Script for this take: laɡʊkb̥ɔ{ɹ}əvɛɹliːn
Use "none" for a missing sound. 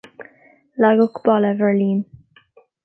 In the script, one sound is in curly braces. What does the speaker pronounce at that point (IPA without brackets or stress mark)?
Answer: l